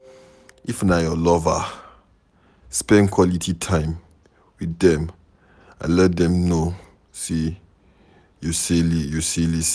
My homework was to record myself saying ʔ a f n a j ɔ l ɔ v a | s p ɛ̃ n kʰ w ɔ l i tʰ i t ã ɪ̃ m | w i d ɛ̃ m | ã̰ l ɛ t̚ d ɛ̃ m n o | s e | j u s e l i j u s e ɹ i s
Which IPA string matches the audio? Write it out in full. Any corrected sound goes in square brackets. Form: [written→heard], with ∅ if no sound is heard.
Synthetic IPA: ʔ [a→i] f n a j ɔ l ɔ v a | s p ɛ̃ n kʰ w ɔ l i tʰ i [t→tʰ] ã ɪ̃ m | w i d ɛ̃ m | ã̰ l ɛ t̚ d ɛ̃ m n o | s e | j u s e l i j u s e [ɹ→l] i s